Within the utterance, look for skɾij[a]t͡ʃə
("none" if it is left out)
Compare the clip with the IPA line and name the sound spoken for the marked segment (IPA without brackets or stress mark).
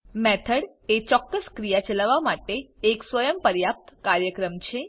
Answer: a